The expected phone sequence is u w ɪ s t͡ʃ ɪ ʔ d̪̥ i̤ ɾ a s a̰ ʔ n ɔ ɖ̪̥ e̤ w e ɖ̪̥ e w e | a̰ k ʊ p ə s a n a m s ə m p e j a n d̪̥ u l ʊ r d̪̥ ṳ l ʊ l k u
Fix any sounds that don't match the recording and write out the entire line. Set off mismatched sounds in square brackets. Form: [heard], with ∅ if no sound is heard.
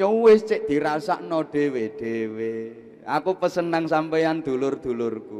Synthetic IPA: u w ɪ s t͡ʃ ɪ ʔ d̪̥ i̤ ɾ a s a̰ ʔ n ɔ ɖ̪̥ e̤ w e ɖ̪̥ e w e | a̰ k [u] p ə s [ə] n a [ŋ] s [a] m p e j a n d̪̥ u l ʊ r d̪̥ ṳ l ʊ [r] k u